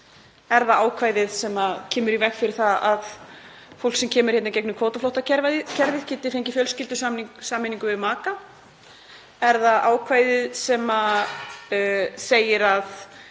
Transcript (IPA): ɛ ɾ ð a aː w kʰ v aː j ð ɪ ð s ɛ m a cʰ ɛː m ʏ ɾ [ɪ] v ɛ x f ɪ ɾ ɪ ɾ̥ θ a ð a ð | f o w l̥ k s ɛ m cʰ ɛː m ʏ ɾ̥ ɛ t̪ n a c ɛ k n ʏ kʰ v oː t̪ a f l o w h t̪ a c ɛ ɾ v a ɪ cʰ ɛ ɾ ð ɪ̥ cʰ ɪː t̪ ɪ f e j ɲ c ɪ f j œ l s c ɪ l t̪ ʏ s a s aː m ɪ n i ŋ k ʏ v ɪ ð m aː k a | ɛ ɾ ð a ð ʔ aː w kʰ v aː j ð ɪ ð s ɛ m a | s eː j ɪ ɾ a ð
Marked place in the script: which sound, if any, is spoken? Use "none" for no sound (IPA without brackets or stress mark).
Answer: i